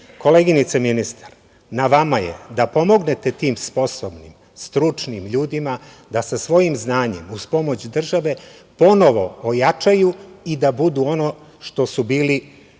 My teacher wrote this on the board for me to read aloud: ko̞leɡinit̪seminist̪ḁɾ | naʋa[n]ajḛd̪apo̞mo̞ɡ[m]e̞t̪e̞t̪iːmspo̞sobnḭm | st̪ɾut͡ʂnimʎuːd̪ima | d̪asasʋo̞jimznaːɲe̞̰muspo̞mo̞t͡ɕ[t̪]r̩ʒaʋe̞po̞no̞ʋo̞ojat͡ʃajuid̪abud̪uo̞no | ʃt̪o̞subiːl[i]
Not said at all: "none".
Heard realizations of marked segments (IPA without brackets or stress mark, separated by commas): m, n, d̪, i